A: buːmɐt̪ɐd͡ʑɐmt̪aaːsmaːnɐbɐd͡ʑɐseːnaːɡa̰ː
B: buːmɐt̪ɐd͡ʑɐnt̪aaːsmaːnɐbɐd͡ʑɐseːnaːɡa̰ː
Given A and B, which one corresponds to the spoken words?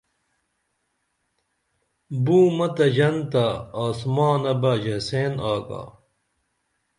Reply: B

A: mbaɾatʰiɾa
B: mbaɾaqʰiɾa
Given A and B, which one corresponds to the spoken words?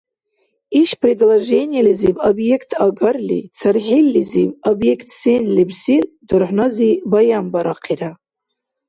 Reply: B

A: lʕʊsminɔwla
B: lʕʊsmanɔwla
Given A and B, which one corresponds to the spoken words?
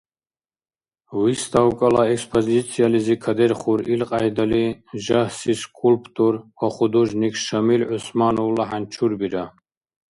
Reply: B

